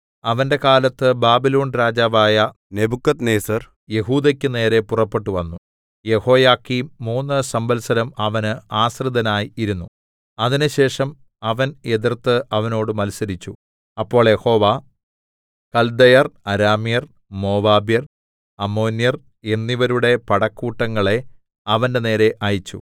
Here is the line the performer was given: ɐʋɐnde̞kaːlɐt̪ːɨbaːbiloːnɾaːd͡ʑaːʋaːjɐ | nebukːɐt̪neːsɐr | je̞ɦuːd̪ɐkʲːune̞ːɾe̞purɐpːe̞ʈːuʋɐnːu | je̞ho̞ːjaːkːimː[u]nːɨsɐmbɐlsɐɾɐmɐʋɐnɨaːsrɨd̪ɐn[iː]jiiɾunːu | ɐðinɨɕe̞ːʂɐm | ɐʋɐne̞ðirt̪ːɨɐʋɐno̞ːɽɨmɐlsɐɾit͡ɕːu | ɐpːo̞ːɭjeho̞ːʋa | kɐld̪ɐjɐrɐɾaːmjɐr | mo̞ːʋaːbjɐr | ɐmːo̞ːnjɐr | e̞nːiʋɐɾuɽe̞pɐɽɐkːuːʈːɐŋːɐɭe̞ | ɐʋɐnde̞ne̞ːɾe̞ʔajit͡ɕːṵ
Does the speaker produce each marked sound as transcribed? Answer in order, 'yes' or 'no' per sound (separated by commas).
no, no